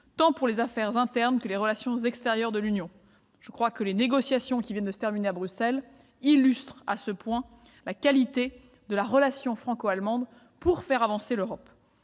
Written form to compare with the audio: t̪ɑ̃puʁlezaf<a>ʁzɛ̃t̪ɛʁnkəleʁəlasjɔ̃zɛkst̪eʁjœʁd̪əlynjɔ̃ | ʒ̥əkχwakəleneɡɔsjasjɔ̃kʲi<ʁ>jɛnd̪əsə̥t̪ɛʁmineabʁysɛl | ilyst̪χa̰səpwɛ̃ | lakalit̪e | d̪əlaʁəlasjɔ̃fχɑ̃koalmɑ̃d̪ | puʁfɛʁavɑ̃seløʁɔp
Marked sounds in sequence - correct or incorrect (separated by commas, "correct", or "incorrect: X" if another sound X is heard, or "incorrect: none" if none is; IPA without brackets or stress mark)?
incorrect: ɛ, incorrect: v